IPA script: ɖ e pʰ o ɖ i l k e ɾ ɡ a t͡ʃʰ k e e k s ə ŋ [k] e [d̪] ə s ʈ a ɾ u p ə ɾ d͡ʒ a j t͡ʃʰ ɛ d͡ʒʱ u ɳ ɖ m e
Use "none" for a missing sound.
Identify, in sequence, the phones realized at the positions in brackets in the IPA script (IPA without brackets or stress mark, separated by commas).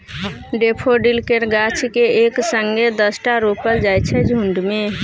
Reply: ɡ, d̪